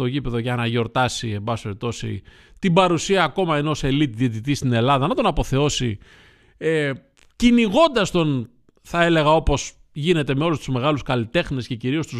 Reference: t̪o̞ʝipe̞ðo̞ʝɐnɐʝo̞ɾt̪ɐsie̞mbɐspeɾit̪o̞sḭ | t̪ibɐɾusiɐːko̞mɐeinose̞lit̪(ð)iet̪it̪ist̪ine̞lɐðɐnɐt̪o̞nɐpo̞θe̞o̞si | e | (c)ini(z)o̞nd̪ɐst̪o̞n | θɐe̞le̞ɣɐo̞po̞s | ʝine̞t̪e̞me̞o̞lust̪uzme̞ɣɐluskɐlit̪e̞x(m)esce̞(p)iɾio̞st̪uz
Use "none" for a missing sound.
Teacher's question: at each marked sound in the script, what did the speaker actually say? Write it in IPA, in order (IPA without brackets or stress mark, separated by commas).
ð, c, ɣ, n, c